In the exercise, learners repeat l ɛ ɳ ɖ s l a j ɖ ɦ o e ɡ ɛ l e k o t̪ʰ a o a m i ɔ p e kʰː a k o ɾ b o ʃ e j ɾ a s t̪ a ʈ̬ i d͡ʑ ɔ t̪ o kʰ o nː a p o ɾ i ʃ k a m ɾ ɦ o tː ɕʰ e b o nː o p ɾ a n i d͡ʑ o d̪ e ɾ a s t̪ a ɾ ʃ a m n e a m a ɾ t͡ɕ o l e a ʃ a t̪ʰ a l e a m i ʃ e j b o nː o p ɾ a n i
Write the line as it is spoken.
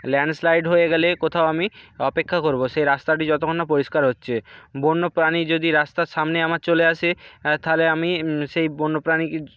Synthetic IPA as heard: l ɛ ɳ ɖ s l a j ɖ ɦ o e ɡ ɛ l e k o t̪ʰ a o a m i ɔ p e kʰː a k o ɾ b o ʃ e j ɾ a s t̪ a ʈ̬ i d͡ʑ ɔ t̪ o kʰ o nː a p o ɾ i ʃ k a ɾ ɦ o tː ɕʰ e b o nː o p ɾ a n i d͡ʑ o d̪ i ɾ a s t̪ a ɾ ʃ a m n e a m a ɾ t͡ɕ o l e a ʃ e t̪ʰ a l e a m i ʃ e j b o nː o p ɾ a n i